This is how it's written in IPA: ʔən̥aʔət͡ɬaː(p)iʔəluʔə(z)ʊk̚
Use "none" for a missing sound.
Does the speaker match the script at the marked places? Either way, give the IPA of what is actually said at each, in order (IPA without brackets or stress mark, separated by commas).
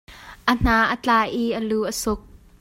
ʔ, s